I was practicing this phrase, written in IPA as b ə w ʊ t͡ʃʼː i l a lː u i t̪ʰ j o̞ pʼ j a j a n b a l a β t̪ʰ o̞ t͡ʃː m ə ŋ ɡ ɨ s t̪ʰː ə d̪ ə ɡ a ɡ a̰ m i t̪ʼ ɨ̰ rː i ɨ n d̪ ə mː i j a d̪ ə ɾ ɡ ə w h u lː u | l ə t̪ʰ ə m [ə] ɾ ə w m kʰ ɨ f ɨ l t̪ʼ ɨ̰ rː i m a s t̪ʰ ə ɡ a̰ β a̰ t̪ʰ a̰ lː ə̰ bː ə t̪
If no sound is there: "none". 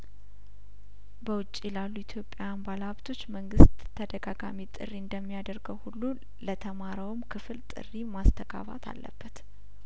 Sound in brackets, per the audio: a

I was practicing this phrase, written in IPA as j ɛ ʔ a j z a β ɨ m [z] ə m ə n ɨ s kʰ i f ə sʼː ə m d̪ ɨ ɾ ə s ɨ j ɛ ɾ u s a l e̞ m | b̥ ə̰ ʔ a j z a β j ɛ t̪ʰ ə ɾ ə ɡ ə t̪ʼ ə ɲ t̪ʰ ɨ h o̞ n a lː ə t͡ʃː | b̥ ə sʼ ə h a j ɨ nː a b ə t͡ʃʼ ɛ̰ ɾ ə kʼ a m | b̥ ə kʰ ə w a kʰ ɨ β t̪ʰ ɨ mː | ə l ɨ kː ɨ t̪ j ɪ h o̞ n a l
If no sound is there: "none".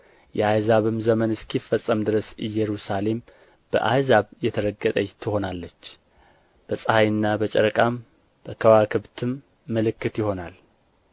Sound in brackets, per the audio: z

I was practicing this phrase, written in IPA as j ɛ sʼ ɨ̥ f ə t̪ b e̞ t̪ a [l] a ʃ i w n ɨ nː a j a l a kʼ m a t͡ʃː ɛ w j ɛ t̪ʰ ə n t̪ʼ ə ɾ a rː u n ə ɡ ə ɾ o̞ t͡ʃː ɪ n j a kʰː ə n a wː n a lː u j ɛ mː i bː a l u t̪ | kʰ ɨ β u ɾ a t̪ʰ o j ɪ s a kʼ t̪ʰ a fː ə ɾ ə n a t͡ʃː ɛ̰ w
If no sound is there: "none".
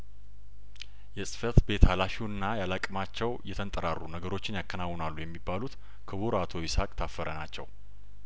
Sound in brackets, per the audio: l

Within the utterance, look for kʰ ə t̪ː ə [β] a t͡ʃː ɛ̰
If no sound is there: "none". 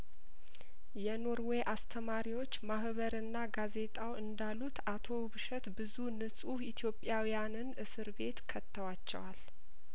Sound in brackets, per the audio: w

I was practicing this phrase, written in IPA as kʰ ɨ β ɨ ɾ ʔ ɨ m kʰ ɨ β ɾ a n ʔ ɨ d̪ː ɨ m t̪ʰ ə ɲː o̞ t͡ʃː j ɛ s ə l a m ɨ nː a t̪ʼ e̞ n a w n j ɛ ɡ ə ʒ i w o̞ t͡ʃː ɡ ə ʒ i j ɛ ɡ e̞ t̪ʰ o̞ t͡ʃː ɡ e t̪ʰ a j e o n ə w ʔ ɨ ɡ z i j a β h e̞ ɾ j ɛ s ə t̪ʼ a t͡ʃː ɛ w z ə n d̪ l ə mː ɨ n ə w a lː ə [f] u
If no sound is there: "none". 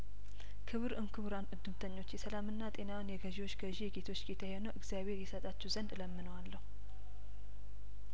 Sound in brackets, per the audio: h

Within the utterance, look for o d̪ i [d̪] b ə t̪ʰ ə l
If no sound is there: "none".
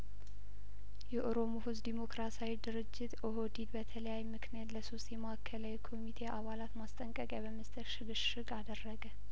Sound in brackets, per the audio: d̪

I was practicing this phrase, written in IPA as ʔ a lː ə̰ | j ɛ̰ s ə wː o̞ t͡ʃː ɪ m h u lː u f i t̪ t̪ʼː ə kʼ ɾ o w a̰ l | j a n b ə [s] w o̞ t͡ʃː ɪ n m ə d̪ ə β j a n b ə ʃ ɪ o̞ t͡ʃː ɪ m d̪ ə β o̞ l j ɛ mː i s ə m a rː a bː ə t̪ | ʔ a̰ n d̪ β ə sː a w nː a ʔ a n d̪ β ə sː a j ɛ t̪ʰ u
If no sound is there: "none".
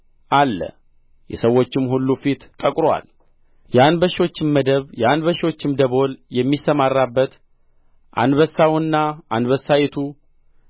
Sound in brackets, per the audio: ʃ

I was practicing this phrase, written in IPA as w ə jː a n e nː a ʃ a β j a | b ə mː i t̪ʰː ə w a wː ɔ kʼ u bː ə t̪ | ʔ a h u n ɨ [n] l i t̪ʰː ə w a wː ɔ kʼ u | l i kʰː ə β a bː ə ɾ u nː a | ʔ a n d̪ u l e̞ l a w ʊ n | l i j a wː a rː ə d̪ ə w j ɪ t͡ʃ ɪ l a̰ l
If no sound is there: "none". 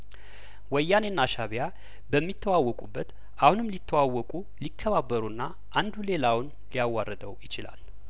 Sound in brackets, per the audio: m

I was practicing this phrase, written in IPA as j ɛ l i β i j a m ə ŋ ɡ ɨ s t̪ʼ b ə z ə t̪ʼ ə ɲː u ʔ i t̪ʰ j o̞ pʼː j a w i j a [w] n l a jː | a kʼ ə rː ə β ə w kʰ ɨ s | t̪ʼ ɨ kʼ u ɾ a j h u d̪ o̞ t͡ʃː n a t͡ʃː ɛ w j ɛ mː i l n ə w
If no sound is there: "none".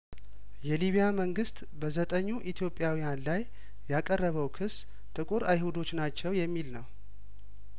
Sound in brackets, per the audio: none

